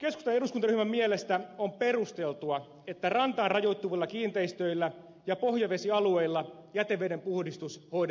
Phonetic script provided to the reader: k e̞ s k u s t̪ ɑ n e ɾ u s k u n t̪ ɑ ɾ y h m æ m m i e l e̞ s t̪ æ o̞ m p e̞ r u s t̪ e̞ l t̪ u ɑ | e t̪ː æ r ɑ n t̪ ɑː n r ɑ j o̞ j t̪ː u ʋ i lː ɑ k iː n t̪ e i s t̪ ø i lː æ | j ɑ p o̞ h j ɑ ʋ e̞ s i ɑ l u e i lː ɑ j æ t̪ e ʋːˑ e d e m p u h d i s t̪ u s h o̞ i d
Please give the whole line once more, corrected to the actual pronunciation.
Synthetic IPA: k e̞ s k u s t̪ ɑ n e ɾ u s k u n t̪ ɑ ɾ y h m æ m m i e l e̞ s t̪ æ o̞ m p e̞ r u s t̪ e̞ l t̪ u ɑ | e t̪ː æ r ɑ n t̪ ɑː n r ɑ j o̞ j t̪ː u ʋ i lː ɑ k iː n t̪ e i s t̪ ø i lː æ | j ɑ p o̞ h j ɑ ʋ e̞ s i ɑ l u e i lː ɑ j æ t̪ e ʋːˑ e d e m p u h d i s t̪ u s h o̞ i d